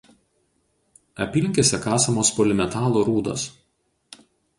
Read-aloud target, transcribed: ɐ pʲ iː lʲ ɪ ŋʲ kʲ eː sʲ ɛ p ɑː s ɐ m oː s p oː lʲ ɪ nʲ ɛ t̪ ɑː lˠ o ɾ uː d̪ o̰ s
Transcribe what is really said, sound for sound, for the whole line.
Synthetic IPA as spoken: ɐ pʲ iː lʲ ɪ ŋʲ kʲ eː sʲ ɛ k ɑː s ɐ m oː s p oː lʲ ɪ mʲ ɛ t̪ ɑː lˠ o ɾ uː d̪ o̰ s